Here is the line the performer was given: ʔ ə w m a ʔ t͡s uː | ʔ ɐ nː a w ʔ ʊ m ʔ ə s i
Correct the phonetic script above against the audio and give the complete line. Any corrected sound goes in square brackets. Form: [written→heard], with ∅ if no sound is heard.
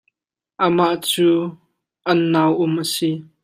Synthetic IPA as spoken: ʔ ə [w→∅] m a ʔ t͡s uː | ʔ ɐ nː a w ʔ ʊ m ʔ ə s i